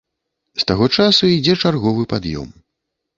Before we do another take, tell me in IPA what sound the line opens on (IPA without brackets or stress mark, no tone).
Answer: s